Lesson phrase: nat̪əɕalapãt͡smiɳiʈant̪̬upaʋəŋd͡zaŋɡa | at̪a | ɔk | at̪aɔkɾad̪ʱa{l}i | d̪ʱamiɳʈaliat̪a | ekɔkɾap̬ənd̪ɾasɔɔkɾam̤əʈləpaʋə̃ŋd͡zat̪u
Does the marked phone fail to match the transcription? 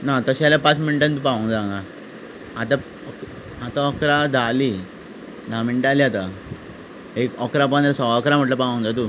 no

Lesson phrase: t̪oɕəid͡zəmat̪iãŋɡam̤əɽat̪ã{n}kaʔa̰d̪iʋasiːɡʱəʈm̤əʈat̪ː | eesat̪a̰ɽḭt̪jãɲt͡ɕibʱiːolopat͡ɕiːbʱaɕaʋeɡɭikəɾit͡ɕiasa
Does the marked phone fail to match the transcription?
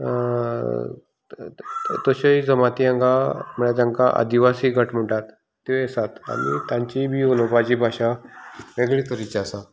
yes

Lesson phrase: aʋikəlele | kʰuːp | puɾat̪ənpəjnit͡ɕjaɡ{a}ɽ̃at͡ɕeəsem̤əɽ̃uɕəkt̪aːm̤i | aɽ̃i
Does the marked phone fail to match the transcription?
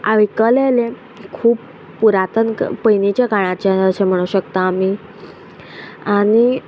no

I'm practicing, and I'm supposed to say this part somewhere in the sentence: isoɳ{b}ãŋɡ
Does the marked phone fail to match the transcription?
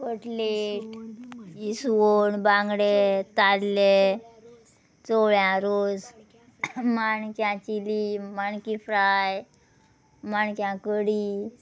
no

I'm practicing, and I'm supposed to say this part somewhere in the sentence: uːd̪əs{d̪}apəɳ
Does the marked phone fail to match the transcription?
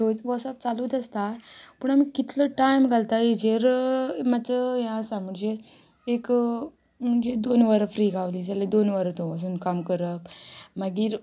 yes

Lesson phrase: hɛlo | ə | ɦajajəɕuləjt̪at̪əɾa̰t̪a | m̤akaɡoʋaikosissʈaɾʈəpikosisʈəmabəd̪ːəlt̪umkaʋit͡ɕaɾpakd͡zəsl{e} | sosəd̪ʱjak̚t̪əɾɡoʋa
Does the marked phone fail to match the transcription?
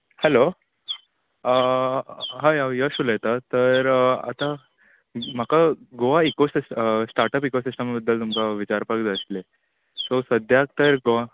no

